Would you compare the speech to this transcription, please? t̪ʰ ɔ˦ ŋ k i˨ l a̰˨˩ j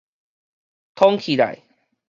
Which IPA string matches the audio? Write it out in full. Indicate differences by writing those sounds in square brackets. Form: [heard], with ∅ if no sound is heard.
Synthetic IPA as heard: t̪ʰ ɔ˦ ŋ [kʰ] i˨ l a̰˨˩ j

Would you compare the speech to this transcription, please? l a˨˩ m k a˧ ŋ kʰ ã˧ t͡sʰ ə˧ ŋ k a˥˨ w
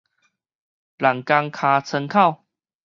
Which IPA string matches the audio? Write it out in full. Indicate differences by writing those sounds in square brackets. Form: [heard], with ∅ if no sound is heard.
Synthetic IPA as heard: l a˨˩ [ŋ] k a˧ ŋ kʰ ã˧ t͡sʰ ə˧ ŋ [kʰ] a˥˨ w

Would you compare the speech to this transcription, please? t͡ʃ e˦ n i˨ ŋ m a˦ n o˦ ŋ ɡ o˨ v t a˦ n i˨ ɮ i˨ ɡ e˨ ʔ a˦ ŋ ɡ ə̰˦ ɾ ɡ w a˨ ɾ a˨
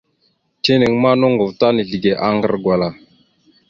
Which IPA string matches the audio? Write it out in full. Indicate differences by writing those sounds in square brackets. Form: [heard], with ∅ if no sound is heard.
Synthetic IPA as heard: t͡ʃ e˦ n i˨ ŋ m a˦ n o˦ ŋ ɡ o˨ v t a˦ n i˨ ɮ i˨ ɡ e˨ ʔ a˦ ŋ ɡ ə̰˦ ɾ ɡ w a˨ [l] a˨

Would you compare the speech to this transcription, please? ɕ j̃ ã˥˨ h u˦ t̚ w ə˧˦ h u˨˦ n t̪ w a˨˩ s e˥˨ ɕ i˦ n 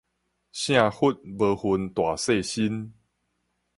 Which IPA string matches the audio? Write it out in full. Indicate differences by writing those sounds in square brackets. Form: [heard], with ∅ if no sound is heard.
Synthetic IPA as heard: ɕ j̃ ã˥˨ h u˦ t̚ [b] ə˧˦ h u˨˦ n t̪ w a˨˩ s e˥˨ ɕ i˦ n

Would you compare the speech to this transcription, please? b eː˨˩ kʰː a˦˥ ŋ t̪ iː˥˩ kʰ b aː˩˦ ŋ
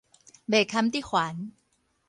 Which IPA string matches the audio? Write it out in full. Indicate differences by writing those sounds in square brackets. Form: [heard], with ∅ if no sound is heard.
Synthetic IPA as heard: b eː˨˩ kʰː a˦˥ [m] t̪ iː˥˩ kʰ [w] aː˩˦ [n]

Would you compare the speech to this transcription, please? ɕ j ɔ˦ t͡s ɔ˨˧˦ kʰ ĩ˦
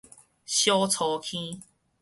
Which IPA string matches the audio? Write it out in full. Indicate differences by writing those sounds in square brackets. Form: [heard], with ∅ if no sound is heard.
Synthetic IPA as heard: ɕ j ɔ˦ [t͡sʰ] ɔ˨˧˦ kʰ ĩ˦

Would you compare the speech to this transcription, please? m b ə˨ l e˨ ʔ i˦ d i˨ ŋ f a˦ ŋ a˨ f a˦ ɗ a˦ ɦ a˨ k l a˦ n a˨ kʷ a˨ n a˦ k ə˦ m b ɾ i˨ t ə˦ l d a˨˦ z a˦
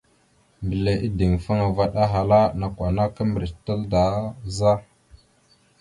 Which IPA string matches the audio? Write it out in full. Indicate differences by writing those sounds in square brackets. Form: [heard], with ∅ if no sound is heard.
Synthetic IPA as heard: m b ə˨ l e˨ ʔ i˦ d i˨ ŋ f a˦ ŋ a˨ [v] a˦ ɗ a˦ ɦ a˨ [∅] l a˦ n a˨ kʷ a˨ n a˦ k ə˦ m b ɾ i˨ t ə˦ l d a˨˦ z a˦

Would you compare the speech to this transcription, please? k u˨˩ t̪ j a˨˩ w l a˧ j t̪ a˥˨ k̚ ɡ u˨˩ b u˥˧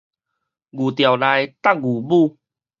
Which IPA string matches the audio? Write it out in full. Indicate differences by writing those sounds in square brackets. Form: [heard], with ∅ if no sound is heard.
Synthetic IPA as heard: [ɡ] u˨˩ t̪ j a˨˩ w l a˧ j t̪ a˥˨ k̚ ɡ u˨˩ b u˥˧

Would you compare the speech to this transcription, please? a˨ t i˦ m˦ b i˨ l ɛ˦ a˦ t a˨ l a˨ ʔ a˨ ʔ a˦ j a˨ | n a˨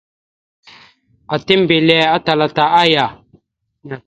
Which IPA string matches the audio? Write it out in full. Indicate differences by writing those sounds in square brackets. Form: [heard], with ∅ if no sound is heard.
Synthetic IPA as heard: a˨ t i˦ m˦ b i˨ l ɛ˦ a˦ t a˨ l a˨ [t] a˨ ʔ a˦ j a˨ | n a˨

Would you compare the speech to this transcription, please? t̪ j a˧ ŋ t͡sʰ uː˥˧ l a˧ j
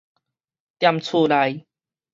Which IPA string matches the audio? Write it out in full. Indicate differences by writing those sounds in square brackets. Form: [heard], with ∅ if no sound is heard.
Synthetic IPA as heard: t̪ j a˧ [m] t͡sʰ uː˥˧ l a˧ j

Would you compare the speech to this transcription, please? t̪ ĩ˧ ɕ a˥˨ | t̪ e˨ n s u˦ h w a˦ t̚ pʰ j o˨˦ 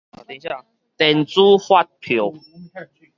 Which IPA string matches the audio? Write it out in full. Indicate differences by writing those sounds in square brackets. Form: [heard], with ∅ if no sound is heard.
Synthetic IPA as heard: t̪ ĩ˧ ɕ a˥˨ | t̪ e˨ n [t͡s] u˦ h w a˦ t̚ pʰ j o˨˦

